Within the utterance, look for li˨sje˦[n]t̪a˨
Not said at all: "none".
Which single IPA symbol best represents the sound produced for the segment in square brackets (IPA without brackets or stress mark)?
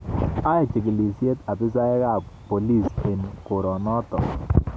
none